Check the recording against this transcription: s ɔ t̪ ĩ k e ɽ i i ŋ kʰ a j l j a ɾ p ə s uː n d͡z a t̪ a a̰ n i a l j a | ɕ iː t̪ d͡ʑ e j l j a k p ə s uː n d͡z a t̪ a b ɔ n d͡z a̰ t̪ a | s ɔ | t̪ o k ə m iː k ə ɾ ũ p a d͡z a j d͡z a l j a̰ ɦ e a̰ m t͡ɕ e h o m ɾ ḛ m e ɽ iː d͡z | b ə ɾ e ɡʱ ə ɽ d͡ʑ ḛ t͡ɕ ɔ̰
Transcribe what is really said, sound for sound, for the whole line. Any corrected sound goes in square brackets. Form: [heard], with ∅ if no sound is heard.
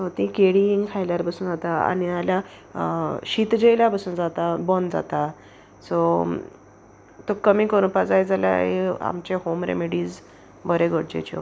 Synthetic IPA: s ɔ t̪ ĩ k e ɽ i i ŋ kʰ a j l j a ɾ p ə s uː n d͡z a t̪ a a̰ n i a l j a | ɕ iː t̪ d͡ʑ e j l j a [∅] p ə s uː n d͡z a t̪ a b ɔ n d͡z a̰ t̪ a | s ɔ | t̪ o k ə m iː k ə ɾ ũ p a d͡z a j d͡z a l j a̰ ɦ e a̰ m t͡ɕ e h o m ɾ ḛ m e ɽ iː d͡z | b ə ɾ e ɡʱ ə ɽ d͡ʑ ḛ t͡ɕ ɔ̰